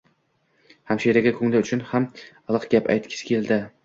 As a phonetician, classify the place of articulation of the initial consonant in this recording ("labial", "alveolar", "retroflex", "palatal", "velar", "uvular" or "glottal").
glottal